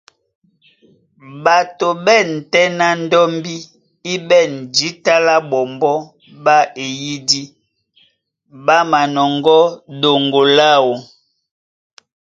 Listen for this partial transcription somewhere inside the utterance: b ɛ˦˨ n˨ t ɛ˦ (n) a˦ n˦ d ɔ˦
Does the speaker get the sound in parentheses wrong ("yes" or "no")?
no